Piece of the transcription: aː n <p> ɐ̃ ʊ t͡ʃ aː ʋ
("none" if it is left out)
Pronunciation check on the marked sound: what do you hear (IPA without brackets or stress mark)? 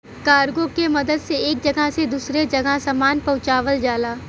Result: p